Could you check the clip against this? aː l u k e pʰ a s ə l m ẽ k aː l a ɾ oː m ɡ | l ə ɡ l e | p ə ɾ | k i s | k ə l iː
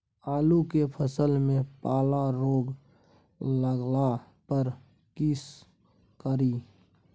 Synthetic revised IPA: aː l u k e pʰ ə s ə l m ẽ p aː l a ɾ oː ɡ | l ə ɡ l a | p ə ɾ | k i s | k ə ɾ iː